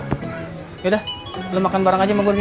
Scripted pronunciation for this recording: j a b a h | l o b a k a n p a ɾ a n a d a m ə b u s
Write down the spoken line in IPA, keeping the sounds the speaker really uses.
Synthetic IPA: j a d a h | l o m a k a n b a ɾ a ŋ a d͡ʒ a m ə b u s